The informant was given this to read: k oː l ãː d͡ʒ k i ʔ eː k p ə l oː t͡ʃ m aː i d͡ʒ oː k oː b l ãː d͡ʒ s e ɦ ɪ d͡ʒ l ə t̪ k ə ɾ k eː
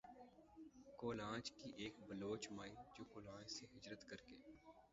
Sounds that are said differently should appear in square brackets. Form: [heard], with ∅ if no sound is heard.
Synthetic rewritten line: k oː l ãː d͡ʒ k i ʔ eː k [b] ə l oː t͡ʃ m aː i d͡ʒ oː k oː [∅] l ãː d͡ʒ s e ɦ ɪ d͡ʒ [ɾ] ə t̪ k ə ɾ k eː

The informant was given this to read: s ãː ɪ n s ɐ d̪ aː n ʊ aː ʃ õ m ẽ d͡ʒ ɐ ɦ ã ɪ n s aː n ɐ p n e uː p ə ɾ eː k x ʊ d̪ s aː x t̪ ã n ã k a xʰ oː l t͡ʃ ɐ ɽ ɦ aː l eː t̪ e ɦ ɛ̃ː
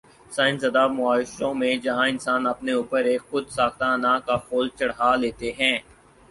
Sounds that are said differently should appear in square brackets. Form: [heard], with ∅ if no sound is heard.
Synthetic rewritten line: s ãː ɪ n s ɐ d̪ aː [m] ʊ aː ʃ õ m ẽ d͡ʒ ɐ ɦ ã ɪ n s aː n ɐ p n e uː p ə ɾ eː k x ʊ d̪ s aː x t̪ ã n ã k a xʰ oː l t͡ʃ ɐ ɽ ɦ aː l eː t̪ e ɦ ɛ̃ː

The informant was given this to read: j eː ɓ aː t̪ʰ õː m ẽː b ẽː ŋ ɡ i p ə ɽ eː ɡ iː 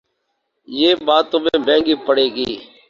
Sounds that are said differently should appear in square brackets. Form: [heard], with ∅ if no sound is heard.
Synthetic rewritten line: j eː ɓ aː [t̪] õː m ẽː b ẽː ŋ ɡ [iː] p ə ɽ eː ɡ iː

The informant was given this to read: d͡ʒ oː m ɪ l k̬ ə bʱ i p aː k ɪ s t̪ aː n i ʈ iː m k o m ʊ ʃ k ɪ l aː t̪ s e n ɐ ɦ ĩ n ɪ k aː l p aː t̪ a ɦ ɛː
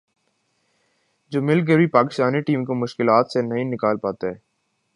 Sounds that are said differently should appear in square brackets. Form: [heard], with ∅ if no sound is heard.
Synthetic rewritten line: d͡ʒ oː m ɪ l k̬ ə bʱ i p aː k ɪ s t̪ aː n i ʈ iː m k o m ʊ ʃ k ɪ l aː t̪ s e n ɐ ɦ ĩ n ɪ k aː l p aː t̪ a ɦ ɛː

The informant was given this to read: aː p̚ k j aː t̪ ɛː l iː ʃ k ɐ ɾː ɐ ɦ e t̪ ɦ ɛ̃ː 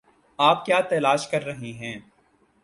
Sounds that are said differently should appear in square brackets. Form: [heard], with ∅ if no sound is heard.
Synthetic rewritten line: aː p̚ k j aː t̪ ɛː l [aː] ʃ k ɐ ɾː ɐ ɦ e [∅] ɦ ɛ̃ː

